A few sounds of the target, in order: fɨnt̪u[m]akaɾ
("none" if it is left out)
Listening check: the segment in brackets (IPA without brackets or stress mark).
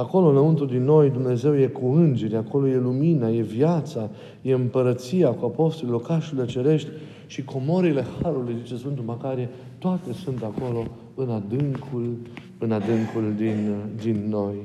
m